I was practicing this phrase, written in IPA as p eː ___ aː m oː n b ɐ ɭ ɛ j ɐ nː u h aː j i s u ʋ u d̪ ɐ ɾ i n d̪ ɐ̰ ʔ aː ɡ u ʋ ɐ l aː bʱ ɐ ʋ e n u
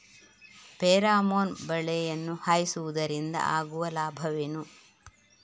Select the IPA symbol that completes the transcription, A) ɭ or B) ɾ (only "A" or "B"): B